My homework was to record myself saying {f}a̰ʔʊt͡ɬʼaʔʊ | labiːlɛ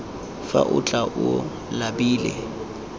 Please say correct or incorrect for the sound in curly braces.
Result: correct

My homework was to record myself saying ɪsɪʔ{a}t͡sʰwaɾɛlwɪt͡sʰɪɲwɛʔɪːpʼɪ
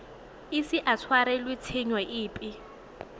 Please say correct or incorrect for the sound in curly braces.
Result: correct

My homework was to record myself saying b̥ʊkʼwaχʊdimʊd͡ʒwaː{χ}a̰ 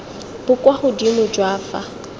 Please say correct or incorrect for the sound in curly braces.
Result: incorrect: f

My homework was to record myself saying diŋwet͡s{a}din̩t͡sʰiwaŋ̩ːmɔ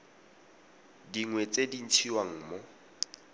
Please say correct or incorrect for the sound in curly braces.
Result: incorrect: e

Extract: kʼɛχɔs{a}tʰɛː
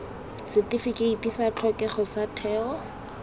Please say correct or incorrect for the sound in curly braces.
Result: correct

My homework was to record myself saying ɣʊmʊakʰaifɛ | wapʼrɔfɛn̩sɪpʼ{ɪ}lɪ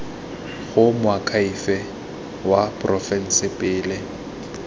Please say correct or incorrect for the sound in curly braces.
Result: incorrect: ɪː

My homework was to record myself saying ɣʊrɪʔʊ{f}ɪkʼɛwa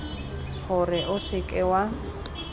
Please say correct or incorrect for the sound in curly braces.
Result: incorrect: s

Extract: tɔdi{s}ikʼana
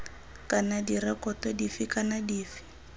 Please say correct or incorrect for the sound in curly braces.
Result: incorrect: f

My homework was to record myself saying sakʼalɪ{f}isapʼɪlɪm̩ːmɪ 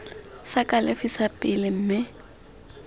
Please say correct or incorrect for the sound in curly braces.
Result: correct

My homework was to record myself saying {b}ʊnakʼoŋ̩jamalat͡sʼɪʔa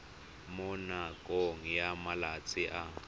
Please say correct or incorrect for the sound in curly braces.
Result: incorrect: m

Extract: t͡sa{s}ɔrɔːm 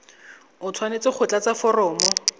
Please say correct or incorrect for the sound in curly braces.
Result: incorrect: f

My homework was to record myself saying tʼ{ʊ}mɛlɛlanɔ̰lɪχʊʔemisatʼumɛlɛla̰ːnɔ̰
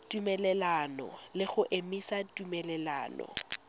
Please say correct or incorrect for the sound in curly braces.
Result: incorrect: u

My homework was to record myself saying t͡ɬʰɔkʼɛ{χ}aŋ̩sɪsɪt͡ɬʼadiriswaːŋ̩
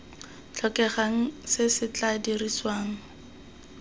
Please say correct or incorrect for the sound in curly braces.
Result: correct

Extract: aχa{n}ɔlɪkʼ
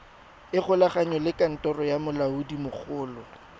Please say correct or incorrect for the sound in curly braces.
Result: incorrect: ɲ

